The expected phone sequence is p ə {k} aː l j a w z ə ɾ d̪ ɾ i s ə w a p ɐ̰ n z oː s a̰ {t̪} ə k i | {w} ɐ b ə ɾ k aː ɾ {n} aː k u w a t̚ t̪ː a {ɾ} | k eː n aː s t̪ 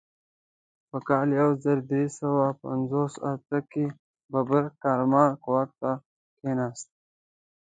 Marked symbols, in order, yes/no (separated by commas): yes, yes, no, no, no